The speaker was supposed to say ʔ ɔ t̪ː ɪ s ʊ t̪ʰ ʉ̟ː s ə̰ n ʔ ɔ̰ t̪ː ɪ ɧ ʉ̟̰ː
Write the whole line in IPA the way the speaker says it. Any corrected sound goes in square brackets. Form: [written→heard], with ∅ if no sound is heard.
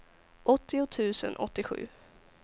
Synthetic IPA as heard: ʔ ɔ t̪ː ɪ [s→∅] ʊ t̪ʰ ʉ̟ː s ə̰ n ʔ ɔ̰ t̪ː ɪ ɧ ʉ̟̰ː